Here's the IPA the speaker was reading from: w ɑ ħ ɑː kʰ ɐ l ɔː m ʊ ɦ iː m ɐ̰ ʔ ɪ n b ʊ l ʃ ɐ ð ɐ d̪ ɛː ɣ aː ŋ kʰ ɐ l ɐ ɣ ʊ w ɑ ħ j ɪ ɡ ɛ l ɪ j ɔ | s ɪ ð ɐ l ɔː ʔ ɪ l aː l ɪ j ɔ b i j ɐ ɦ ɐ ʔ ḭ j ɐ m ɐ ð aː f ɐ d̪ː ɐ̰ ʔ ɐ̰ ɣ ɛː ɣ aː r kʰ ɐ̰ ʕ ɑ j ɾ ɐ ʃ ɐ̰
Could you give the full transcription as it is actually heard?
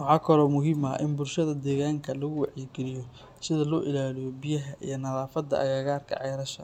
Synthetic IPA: w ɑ ħ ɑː kʰ ɐ l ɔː m ʊ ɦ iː m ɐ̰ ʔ ɪ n b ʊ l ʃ ɐ ð ɐ d̪ ɛː ɣ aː ŋ kʰ ɐ l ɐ ɣ ʊ w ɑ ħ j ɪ ɡ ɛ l ɪ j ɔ | s ɪ ð ɐ l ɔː ʔ ɪ l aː l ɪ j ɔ b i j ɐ ɦ ɐ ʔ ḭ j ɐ n ɐ ð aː f ɐ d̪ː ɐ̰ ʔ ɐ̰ ɣ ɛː ɣ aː r kʰ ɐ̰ ʕ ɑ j ɾ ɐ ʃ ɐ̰

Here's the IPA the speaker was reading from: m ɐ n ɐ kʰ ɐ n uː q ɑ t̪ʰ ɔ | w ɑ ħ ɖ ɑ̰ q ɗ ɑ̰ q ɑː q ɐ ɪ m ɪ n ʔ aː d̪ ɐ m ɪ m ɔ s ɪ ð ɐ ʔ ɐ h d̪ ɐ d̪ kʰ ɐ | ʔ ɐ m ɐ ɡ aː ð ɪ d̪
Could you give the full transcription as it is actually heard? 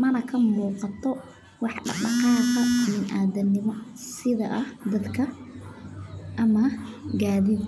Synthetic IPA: m ɐ n ɐ kʰ ɐ m uː q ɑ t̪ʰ ɔ | w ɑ ħ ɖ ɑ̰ q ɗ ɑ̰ q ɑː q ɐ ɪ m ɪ n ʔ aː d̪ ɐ n ɪ m ɔ s ɪ ð ɐ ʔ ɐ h d̪ ɐ d̪ kʰ ɐ | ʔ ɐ m ɐ ɡ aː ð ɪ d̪

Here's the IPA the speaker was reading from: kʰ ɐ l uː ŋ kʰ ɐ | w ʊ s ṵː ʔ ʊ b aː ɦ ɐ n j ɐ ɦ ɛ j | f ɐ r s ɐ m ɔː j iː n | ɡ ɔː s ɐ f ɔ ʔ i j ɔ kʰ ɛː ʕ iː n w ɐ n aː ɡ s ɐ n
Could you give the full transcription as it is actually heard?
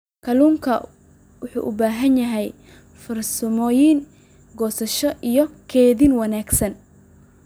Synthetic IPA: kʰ ɐ l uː ŋ kʰ ɐ | w ʊ ħ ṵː ʔ ʊ b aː ɦ ɐ n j ɐ ɦ ɛ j | f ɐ r s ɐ m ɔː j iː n | ɡ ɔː s ɐ ʃ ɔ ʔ i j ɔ kʰ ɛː ð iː n w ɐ n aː ɡ s ɐ n

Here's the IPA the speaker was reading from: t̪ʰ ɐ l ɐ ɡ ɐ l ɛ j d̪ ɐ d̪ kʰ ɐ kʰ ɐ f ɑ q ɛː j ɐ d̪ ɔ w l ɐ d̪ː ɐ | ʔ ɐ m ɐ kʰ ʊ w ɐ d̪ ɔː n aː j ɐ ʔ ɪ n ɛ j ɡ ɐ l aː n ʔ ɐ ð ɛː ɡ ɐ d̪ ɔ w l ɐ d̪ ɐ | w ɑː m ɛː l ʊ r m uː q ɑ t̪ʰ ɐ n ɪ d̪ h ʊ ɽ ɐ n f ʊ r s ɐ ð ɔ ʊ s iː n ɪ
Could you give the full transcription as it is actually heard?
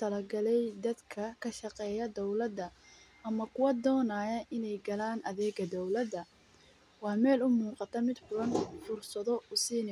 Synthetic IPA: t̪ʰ ɐ l ɐ ɡ ɐ l ɛ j d̪ ɐ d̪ kʰ ɐ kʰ ɐ ʃ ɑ q ɛː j ɐ d̪ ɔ w l ɐ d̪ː ɐ | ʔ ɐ m ɐ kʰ ʊ w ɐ d̪ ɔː n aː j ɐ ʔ ɪ n ɛ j ɡ ɐ l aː n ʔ ɐ ð ɛː ɡ ɐ d̪ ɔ w l ɐ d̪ ɐ | w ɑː m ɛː l ʊ m uː q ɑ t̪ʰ ɐ m ɪ d̪ f ʊ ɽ ɐ n f ʊ r s ɐ ð ɔ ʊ s iː n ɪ

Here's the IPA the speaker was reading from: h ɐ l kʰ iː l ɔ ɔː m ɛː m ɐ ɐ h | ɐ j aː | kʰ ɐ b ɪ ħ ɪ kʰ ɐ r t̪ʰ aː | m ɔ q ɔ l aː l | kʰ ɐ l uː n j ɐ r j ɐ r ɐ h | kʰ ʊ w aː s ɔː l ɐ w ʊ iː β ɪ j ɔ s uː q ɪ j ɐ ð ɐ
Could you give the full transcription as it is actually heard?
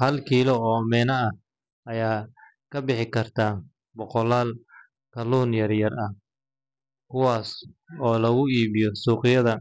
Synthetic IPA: h ɐ l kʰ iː l ɔ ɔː m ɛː n ɐ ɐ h | ɐ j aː | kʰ ɐ b ɪ ħ ɪ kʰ ɐ r t̪ʰ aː | b ɔ q ɔ l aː l | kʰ ɐ l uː n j ɐ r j ɐ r ɐ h | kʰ ʊ w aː s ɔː l ɐ ɣ ʊ iː β ɪ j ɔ s uː q ɪ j ɐ ð ɐ

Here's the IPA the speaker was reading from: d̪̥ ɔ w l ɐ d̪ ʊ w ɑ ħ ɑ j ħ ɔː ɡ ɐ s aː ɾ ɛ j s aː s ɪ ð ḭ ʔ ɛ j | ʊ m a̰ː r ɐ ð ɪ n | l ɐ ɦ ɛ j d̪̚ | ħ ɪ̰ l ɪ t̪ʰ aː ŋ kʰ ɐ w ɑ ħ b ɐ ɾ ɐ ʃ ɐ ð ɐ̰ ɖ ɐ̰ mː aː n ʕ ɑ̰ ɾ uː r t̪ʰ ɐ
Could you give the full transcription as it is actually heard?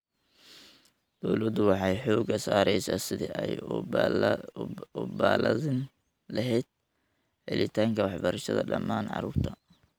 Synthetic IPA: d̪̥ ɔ w l ɐ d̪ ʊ w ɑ ħ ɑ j ħ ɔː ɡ ɐ s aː ɾ ɛ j s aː s ɪ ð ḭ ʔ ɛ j | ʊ b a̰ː l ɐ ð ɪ n | l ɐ ɦ ɛ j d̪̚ | ħ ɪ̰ l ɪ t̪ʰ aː ŋ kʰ ɐ w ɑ ħ b ɐ ɾ ɐ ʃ ɐ ð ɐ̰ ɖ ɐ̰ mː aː n ʕ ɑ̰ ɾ uː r t̪ʰ ɐ

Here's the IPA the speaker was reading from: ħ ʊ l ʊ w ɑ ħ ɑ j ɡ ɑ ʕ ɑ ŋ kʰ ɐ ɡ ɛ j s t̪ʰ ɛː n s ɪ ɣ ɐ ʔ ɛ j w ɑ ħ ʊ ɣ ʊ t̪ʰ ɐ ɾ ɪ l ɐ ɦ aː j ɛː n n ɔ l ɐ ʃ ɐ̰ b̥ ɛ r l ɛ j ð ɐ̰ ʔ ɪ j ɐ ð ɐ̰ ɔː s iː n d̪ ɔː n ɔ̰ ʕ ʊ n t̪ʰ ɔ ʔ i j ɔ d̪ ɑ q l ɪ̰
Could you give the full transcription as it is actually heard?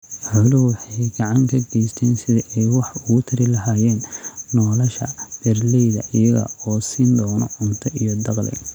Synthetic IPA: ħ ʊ l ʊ w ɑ ħ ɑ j ɡ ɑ ʕ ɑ ŋ kʰ ɐ ɡ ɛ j s t̪ʰ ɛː n s ɪ ð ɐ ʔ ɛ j w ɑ ħ ʊ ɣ ʊ t̪ʰ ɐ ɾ ɪ l ɐ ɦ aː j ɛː n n ɔː l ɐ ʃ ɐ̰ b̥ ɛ r l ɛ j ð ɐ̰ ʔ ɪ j ɐ ɣ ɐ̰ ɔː s iː n d̪ ɔː n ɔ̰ ʕ ʊ n t̪ʰ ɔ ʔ i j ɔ d̪ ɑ q l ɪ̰

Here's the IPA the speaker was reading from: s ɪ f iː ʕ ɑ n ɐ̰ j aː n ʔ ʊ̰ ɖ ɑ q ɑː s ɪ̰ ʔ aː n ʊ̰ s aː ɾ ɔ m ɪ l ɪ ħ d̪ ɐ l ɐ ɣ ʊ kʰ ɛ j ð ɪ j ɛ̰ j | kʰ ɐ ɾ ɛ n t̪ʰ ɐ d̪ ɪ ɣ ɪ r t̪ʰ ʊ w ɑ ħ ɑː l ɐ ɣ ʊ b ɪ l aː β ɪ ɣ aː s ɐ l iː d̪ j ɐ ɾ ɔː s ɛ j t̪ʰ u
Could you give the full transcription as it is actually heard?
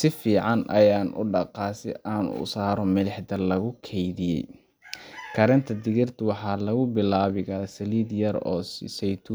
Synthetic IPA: s ɪ f iː ʕ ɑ n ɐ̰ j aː n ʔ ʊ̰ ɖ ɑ q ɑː s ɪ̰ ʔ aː n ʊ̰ s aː ɾ ɔ m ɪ l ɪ ħ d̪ ɐ l ɐ ɣ ʊ kʰ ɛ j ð ɪ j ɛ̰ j | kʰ ɐ ɾ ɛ n t̪ʰ ɐ d̪ ɪ ɣ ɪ r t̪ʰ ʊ w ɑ ħ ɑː l ɐ ɣ ʊ b ɪ l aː β ɪ ɣ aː s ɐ l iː d̪ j ɐ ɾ ɔː s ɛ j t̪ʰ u

